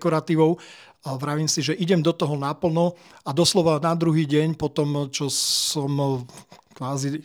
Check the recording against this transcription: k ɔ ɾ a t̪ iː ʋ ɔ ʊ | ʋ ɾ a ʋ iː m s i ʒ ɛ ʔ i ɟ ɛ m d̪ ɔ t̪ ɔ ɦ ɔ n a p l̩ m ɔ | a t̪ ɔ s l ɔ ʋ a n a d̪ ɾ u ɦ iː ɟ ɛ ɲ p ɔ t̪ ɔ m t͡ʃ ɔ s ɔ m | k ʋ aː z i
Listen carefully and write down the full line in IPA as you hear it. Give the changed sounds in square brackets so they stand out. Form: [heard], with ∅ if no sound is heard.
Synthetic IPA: k ɔ ɾ a t̪ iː ʋ ɔ ʊ | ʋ ɾ a ʋ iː m s i ʒ ɛ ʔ i ɟ ɛ m d̪ ɔ t̪ ɔ ɦ ɔ n a p l̩ [n] ɔ | a [d̪] ɔ s l ɔ ʋ a n a d̪ ɾ u ɦ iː ɟ ɛ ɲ p ɔ t̪ ɔ m t͡ʃ ɔ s ɔ m | k ʋ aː z i